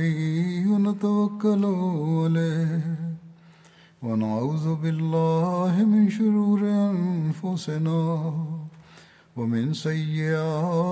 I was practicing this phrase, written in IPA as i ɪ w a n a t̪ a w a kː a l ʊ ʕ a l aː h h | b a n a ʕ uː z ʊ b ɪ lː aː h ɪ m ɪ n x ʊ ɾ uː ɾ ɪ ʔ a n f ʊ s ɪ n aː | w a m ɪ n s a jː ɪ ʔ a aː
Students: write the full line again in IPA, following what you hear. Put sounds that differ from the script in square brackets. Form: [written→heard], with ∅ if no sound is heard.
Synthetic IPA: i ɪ w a n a t̪ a w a kː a l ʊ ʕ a l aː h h | [b→w] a n a ʕ uː [z→ð] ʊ b ɪ lː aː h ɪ m ɪ n [x→ʃ] ʊ ɾ uː ɾ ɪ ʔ a n f ʊ s ɪ n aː | w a m ɪ n s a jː ɪ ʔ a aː